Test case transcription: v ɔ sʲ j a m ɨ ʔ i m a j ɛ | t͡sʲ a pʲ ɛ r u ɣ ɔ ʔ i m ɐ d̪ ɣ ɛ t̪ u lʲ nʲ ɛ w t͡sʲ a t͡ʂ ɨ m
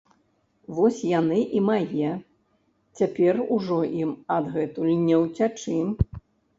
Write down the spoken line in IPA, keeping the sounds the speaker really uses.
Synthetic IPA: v ɔ sʲ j a n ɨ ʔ i m a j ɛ | t͡sʲ a pʲ ɛ r u ʐ ɔ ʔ i m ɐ d̪ ɣ ɛ t̪ u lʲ nʲ ɛ w t͡sʲ a t͡ʂ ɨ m